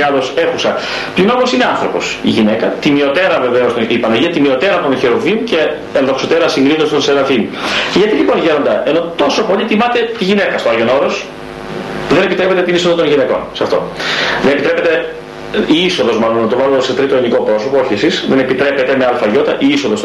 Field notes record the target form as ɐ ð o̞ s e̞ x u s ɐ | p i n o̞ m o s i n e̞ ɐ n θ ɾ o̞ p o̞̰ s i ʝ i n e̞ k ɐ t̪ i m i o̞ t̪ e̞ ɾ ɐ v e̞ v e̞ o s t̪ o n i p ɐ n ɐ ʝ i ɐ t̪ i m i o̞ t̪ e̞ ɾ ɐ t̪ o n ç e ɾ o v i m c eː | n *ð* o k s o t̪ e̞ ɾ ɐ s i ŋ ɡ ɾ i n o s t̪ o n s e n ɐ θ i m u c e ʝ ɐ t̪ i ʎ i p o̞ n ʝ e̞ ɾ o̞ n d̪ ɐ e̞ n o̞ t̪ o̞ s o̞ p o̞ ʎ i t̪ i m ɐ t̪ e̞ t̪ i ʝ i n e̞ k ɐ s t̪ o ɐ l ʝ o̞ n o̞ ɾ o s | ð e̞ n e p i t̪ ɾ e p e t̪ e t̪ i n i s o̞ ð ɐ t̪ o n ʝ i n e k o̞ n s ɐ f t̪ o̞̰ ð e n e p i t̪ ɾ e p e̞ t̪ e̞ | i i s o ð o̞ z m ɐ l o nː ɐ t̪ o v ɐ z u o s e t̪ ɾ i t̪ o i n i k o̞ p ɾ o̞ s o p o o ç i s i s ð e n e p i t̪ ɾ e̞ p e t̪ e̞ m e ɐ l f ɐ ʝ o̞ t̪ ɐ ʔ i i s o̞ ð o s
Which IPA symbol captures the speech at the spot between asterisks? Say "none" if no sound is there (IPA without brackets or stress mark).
ð